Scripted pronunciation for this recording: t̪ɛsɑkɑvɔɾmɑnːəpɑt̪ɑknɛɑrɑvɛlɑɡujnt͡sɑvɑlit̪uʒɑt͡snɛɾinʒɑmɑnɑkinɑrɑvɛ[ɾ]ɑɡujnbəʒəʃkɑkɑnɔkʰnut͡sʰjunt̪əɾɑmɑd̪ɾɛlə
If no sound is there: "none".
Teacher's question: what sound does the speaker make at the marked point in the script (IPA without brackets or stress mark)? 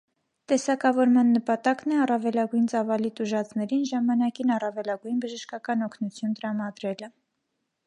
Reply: l